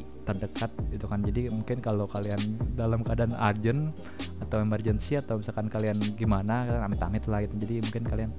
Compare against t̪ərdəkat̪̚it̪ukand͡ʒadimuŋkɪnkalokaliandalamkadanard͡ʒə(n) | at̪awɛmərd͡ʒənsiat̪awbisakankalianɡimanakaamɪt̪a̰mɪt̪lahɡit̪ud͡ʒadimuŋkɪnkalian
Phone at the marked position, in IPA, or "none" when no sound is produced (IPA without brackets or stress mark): n